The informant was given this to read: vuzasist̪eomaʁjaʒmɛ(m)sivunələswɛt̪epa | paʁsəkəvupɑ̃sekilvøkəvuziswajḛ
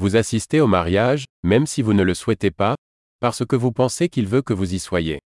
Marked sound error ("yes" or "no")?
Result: no